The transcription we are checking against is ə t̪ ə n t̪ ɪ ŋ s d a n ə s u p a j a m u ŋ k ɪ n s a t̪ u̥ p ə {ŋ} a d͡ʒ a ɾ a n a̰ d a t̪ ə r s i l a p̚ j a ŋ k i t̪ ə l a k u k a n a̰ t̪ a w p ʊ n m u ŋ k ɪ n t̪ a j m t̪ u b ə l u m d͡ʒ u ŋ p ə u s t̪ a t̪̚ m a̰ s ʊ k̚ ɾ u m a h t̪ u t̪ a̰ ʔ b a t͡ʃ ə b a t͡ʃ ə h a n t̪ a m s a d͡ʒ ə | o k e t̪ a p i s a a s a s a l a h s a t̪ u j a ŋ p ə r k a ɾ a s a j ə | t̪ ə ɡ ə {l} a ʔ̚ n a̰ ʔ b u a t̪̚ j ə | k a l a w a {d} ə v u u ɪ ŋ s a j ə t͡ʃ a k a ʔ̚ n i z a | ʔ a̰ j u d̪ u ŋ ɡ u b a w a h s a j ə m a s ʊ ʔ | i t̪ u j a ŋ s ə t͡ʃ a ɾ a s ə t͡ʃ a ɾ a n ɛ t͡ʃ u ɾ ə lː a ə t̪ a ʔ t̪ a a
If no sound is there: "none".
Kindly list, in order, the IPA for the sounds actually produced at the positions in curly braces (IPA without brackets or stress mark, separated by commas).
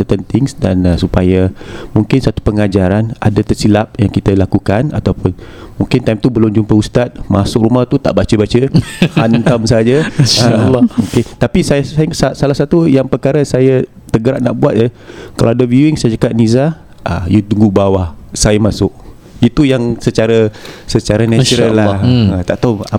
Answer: ŋ, ɾ, d